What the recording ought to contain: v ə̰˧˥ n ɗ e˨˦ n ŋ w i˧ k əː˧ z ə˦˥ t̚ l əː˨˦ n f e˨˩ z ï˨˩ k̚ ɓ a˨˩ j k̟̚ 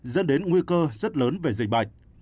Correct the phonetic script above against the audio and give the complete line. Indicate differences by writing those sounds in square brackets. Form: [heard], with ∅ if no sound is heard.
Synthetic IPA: [z] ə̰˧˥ n ɗ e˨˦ n ŋ w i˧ k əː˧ z ə˦˥ t̚ l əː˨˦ n [v] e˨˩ z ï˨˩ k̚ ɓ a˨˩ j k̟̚